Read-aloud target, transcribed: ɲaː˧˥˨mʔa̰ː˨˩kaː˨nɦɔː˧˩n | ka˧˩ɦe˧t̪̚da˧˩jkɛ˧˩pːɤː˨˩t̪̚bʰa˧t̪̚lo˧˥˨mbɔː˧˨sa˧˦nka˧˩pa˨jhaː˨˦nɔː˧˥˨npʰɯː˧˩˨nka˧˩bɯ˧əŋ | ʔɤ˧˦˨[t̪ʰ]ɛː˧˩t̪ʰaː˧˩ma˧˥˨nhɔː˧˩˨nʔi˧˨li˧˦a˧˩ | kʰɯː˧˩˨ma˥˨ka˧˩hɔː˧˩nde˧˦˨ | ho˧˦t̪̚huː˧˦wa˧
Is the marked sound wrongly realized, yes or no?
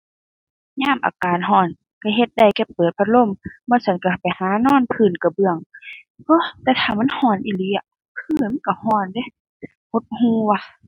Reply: yes